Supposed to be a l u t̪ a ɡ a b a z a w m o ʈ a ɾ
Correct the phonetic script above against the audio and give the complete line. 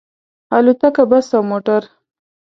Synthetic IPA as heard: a l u t̪ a k a b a s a w m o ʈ a ɾ